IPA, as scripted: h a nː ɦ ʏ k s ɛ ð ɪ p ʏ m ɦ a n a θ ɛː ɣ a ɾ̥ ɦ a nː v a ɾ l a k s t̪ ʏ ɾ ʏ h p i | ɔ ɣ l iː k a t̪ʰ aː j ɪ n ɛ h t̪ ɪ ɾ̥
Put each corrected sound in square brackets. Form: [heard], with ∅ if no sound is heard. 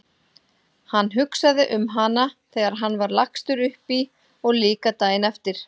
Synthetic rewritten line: h a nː ɦ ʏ k s [a] ð ɪ [ʔ] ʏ m ɦ a n a θ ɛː ɣ a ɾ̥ ɦ a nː v a ɾ l a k s t̪ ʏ ɾ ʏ h p i | ɔ ɣ l iː k a [t̪] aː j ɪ n ɛ [f] t̪ ɪ ɾ̥